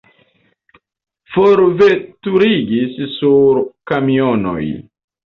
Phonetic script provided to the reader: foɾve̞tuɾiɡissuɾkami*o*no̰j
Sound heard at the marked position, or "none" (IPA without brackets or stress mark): o